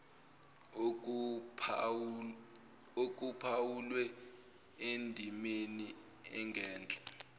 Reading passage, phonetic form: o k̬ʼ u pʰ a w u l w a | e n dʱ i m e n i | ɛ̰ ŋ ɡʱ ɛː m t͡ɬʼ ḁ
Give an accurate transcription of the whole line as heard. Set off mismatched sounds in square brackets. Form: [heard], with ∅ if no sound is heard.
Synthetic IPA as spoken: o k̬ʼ u pʰ a w u l w [ɛ] | e n dʱ i m e n i | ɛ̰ ŋ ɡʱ ɛː [n] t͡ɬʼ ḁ